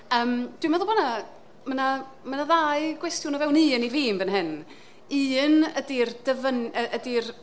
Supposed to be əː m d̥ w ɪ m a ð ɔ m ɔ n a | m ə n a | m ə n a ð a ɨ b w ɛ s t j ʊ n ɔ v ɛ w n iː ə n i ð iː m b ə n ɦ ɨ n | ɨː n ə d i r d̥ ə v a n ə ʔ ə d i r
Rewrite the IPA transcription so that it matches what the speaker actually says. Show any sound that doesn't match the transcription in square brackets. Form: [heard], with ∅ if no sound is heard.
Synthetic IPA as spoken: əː m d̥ w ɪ m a ð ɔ [b] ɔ n a | m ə n a | m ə n a ð a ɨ [ɡ] w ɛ s t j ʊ n ɔ v ɛ w n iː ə n i [v] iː m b ə n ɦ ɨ n | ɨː n ə d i r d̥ ə v [ə] n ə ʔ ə d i r